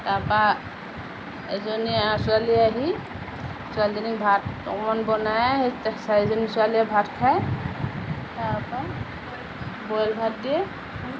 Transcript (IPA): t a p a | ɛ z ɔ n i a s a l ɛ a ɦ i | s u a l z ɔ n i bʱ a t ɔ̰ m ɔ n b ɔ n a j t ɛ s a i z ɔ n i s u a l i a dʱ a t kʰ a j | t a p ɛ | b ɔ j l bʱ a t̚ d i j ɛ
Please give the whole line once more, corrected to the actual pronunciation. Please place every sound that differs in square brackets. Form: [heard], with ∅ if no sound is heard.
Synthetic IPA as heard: t a p a | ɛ z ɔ n i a s a l [i] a ɦ i | s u a l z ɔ n i bʱ a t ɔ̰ m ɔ n b ɔ n a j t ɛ s a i z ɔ n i s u a l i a [bʱ] a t kʰ a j | t a p [a] | b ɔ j l bʱ a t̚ d i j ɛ

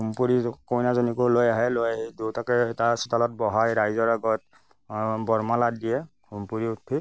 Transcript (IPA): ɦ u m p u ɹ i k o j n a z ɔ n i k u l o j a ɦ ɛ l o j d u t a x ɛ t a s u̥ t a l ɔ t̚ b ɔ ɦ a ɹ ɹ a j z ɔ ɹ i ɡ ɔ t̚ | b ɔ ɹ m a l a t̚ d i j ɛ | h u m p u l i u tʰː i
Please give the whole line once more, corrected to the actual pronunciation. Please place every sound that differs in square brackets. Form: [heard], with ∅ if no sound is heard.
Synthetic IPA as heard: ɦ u m p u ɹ i k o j n a z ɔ n i k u l o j a ɦ ɛ l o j d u t a [k] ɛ t a s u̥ t a l ɔ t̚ b ɔ ɦ a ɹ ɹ a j z ɔ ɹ [a] ɡ ɔ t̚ | b ɔ ɹ m a l a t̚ d i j ɛ | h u m p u [ɹ] i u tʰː i

